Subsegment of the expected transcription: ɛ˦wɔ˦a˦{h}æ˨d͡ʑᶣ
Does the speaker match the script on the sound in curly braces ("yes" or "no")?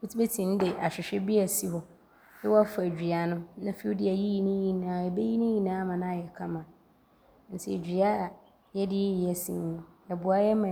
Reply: no